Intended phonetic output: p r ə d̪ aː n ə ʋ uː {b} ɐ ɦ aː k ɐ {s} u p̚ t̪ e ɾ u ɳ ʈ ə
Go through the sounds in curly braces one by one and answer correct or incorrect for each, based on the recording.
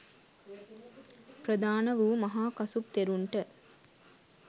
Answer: incorrect: m, correct

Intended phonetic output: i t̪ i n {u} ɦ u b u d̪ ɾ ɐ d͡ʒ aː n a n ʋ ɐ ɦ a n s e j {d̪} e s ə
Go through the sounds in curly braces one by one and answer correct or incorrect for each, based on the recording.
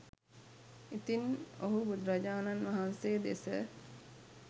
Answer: incorrect: o, correct

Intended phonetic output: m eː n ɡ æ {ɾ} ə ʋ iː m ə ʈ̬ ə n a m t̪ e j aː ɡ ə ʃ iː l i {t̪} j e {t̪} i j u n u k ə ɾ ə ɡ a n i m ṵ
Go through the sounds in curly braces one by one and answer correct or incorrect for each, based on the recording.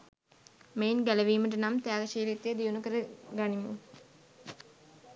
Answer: incorrect: l, correct, incorrect: d̪

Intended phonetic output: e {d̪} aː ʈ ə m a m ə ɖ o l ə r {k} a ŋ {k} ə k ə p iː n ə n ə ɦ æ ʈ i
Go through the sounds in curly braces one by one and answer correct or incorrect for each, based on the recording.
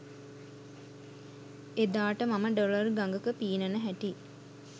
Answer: correct, incorrect: ɡ, incorrect: ɡ

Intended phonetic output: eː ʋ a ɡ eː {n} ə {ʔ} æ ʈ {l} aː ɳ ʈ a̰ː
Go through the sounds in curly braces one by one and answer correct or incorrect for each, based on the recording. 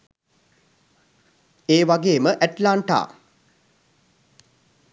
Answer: incorrect: m, correct, correct

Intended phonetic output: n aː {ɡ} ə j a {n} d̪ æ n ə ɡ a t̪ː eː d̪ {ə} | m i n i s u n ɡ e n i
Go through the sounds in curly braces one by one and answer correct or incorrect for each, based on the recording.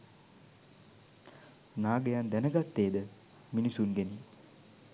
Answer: correct, correct, correct

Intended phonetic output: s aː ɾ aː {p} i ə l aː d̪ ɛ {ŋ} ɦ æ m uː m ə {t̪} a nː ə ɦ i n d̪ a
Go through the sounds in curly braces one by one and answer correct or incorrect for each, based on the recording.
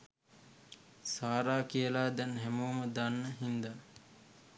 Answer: incorrect: k, incorrect: n, incorrect: d̪

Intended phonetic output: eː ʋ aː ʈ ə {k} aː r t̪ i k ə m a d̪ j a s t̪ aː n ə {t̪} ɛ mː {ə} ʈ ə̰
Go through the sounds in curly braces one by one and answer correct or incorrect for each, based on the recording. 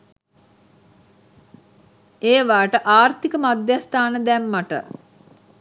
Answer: incorrect: ʔ, incorrect: d̪, incorrect: a

